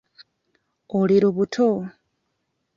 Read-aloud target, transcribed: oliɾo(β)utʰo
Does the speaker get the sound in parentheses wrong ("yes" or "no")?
no